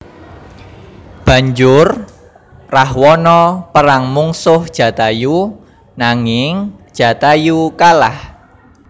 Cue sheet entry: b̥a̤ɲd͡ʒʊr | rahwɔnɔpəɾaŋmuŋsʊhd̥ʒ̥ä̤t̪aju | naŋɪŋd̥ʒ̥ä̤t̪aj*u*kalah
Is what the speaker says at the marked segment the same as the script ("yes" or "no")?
yes